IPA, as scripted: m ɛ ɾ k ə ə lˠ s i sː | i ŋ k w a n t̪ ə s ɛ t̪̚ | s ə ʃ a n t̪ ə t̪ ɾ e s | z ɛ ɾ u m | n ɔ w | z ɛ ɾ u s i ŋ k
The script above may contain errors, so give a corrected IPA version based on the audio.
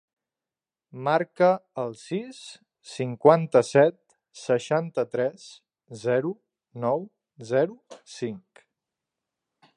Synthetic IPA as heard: m a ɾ k ə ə lˠ s i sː | i ŋ k w a n t̪ ə s ɛ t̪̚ | s ə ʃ a n t̪ ə t̪ ɾ ɛ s | z ɛ ɾ u | n ɔ w | z ɛ ɾ u s i ŋ k